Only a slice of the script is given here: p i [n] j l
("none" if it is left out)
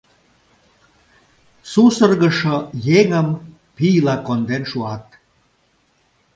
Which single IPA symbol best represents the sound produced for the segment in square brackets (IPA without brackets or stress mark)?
none